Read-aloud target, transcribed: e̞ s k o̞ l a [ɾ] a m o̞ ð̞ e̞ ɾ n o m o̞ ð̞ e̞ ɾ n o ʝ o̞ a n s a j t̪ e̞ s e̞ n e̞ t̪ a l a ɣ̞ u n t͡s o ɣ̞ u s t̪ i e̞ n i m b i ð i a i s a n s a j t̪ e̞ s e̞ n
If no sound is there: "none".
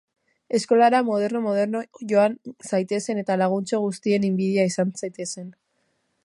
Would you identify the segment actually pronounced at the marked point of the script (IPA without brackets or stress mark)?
ɾ